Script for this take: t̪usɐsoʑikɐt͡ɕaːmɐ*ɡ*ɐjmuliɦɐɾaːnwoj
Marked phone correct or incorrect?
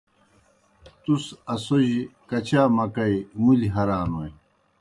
incorrect